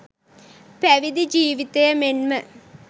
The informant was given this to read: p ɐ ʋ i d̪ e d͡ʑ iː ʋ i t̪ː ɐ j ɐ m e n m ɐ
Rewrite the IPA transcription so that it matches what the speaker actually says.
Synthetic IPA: p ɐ ʋ i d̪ i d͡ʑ iː ʋ i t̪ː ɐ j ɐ m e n m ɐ